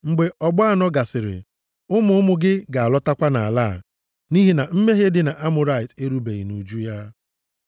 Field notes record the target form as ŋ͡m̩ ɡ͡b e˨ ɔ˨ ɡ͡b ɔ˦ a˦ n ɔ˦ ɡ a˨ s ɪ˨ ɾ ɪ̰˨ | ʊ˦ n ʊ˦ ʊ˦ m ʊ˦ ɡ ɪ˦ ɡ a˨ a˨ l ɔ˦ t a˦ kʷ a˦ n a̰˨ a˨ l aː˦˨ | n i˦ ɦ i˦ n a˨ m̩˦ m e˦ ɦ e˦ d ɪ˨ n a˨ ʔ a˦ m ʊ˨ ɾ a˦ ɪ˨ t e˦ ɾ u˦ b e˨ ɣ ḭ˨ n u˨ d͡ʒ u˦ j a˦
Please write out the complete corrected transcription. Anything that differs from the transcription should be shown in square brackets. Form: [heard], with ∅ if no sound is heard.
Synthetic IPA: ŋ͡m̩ ɡ͡b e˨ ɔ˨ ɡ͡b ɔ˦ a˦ n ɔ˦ ɡ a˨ s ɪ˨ ɾ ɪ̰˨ | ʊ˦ [m] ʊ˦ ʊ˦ m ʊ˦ ɡ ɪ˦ ɡ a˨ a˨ l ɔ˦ t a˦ kʷ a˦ n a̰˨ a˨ l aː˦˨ | n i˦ ɦ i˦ n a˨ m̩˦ m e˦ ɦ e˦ d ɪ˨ n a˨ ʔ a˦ m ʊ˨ ɾ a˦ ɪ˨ t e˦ ɾ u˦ b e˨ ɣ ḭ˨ n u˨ d͡ʒ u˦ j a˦